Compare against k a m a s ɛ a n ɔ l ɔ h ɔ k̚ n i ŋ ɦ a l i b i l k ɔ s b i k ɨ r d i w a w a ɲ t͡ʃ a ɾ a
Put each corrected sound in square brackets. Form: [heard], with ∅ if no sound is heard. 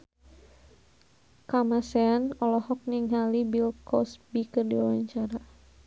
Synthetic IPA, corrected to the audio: k a m a s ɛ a n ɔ l ɔ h ɔ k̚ n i ŋ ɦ a l i b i l k ɔ s b i k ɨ r d i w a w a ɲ t͡ʃ a ɾ a